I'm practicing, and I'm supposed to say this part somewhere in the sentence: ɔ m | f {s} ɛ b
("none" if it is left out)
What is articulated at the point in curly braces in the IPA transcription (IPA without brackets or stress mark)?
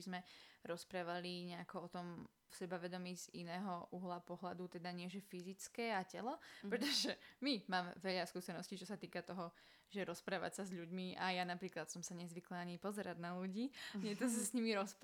s